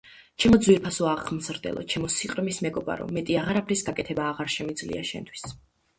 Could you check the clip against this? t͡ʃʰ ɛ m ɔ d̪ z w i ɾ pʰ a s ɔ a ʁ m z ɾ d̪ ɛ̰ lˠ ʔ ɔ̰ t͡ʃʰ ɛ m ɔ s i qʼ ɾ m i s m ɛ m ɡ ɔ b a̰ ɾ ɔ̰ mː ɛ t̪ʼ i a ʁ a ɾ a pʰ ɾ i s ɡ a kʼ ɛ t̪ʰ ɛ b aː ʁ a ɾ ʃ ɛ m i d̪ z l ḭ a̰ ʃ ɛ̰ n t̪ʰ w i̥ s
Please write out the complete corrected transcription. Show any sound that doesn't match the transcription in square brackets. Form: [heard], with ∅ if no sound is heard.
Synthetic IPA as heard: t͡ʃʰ ɛ m ɔ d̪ z w i ɾ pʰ a s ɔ a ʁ m z ɾ d̪ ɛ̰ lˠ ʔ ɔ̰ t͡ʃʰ ɛ m ɔ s i qʼ ɾ m i s m ɛ [∅] ɡ ɔ b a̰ ɾ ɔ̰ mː ɛ t̪ʼ i a ʁ a ɾ a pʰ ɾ i s ɡ a kʼ ɛ t̪ʰ ɛ b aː ʁ a ɾ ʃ ɛ m i d̪ z l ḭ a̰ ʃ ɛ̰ n t̪ʰ w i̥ s

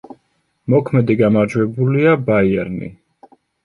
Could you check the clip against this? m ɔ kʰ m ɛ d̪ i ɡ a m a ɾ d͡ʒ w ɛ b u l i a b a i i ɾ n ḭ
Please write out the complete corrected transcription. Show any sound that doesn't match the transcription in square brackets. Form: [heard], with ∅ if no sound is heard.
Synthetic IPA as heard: m ɔ kʰ m ɛ d̪ i ɡ a m a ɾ d͡ʒ w ɛ b u l i a b a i [ɛ] ɾ n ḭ

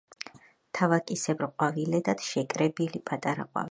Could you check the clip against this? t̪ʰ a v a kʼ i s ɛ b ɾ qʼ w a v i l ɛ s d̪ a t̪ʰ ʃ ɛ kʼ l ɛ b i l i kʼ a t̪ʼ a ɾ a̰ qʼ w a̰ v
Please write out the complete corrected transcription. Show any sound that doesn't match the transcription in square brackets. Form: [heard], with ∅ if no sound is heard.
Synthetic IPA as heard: t̪ʰ a v a kʼ i s ɛ b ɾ qʼ w a v i l ɛ [∅] d̪ a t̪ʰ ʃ ɛ kʼ [ɾ] ɛ b i l i [pʼ] a t̪ʼ a ɾ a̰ qʼ w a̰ v

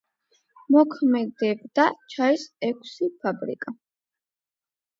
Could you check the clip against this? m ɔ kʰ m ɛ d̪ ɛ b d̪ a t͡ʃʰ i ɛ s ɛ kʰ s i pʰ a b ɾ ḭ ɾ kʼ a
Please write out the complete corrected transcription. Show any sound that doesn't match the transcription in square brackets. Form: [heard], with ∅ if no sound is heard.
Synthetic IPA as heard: m ɔ kʰ m ɛ d̪ ɛ b d̪ a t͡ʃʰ [a] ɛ s ɛ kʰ s i pʰ a b ɾ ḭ [∅] kʼ a

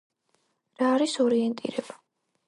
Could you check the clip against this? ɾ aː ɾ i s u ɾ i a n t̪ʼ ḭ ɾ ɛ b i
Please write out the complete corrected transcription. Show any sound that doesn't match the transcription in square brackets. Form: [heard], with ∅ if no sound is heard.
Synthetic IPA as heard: ɾ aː ɾ i s [ɔ] ɾ i [ɛ] n t̪ʼ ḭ ɾ ɛ b [a]

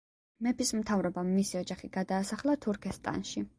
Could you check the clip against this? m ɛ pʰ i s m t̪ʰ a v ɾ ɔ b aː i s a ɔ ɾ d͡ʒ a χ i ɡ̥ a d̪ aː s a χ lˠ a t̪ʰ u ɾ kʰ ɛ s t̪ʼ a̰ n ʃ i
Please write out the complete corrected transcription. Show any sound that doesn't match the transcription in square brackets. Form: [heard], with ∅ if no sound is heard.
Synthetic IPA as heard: m ɛ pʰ i s m t̪ʰ a v ɾ ɔ b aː i s [i] ɔ [∅] d͡ʒ a χ i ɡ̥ a d̪ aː s a χ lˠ a t̪ʰ u ɾ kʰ ɛ s t̪ʼ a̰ n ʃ i

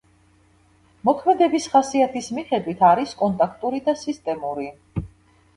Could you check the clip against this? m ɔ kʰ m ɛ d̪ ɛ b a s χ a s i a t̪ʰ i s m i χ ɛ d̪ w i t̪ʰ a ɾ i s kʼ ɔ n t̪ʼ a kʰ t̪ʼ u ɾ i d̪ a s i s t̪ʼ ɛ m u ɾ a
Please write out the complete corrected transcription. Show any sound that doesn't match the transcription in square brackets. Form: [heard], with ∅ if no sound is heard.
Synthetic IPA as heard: m ɔ kʰ m ɛ d̪ ɛ b [i] s χ a s i a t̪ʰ i s m i χ ɛ d̪ w i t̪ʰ a ɾ i s kʼ ɔ n t̪ʼ a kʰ t̪ʼ u ɾ i d̪ a s i s t̪ʼ ɛ m u ɾ [i]

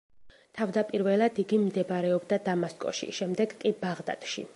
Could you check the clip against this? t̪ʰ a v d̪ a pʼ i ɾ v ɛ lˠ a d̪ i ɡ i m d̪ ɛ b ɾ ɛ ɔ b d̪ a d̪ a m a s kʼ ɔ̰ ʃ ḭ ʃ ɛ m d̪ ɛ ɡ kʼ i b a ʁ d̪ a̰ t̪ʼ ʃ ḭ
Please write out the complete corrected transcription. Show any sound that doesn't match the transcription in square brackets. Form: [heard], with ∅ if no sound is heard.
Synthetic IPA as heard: t̪ʰ a v d̪ a pʼ i ɾ v ɛ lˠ a d̪ i ɡ i m d̪ ɛ b ɾ ɛ ɔ b d̪ a d̪ a m a s kʼ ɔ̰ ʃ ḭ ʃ ɛ m d̪ ɛ ɡ kʼ i b a ʁ d̪ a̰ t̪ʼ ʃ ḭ

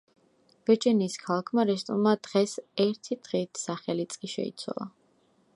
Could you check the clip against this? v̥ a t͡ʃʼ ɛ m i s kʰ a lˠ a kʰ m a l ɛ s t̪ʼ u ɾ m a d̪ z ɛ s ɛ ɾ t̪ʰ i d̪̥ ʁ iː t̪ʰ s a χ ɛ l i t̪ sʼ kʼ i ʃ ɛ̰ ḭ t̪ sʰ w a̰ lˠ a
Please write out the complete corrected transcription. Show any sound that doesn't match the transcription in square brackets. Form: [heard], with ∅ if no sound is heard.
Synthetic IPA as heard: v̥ [ɛ] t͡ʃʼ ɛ [n] i s kʰ a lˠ a kʰ m a [ɾ] ɛ s t̪ʼ u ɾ m a d̪ [ʁ] ɛ s ɛ ɾ t̪ʰ i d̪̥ ʁ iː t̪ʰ s a χ ɛ l i t̪ sʼ kʼ i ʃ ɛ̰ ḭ t̪ sʰ w a̰ lˠ a

